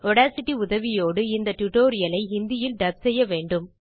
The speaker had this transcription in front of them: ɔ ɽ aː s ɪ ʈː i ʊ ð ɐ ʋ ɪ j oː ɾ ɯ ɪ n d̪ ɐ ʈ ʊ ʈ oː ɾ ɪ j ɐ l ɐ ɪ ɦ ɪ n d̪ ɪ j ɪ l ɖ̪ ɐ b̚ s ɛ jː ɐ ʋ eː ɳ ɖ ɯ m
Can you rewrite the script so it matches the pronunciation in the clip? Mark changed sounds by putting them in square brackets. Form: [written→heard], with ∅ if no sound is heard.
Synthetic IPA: ɔ ɽ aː s ɪ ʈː i ʊ ð ɐ ʋ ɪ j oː [ɾ→ɽ] ɯ ɪ n d̪ ɐ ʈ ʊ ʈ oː ɾ ɪ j ɐ l ɐ ɪ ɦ ɪ n d̪ ɪ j ɪ l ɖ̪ ɐ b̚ s ɛ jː ɐ ʋ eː ɳ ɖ ɯ m